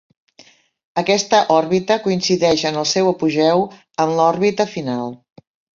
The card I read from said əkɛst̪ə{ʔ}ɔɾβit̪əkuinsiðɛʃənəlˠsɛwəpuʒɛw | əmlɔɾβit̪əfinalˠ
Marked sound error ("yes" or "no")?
no